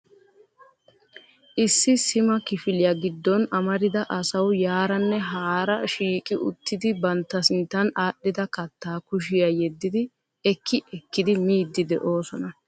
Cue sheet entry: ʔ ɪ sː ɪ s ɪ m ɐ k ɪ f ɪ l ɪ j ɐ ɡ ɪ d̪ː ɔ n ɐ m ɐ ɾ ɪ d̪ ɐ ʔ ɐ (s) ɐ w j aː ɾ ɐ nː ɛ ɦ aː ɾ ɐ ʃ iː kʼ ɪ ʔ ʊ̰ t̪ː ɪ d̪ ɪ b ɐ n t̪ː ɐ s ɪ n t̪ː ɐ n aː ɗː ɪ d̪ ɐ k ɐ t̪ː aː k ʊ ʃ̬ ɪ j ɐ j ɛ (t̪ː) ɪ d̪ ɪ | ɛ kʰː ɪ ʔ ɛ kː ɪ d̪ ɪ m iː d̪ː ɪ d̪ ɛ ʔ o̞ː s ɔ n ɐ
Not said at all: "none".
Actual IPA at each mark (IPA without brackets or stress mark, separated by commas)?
s, d̪ː